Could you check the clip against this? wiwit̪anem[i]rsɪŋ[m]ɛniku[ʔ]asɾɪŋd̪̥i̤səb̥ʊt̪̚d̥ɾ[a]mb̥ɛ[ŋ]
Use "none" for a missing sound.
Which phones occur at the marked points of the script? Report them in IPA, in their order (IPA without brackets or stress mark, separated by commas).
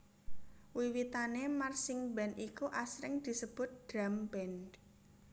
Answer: a, b, ʔ, a, n